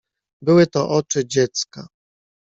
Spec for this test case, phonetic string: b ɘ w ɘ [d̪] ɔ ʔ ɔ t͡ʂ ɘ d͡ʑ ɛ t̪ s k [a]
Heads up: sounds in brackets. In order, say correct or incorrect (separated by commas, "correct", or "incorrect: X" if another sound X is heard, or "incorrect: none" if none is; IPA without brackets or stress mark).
incorrect: t̪, correct